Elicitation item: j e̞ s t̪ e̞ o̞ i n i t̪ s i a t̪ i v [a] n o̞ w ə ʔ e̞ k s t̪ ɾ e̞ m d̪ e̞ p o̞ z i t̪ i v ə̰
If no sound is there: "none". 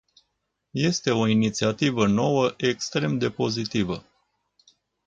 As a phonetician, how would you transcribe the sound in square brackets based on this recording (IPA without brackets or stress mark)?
ə